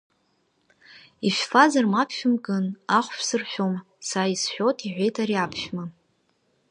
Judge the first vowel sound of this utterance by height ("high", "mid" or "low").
high